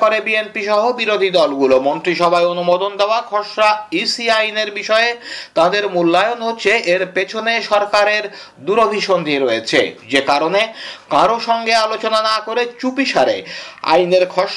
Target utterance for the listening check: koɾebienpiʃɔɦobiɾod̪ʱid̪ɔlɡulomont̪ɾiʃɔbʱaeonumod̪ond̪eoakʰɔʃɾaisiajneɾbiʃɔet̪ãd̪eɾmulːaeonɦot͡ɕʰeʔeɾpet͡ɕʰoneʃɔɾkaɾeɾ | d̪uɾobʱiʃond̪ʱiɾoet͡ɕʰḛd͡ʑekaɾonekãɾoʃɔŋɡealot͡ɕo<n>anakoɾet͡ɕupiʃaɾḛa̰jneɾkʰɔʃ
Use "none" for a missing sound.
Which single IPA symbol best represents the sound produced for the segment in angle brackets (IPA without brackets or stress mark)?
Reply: n